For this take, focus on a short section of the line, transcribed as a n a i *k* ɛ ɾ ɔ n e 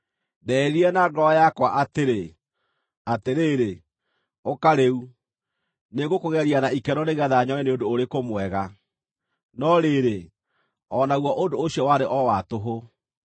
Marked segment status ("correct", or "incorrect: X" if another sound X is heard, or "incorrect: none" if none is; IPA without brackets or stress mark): correct